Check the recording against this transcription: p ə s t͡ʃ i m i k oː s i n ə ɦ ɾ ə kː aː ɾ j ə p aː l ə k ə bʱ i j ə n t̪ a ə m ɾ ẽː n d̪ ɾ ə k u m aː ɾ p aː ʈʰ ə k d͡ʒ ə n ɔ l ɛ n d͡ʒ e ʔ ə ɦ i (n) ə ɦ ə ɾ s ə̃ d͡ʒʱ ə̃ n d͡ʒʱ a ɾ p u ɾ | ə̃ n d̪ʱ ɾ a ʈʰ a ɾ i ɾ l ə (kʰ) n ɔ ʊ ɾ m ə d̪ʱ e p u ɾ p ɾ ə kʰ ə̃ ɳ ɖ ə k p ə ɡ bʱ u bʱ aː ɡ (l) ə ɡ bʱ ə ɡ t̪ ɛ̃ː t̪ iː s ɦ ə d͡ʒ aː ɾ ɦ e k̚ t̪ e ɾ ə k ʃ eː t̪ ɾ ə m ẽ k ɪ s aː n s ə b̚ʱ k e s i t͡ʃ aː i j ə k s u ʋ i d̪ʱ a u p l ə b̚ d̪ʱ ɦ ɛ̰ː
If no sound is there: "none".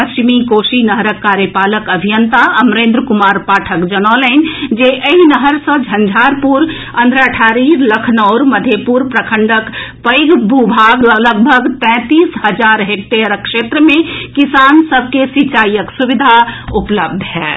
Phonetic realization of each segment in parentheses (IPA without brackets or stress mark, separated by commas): n, kʰ, l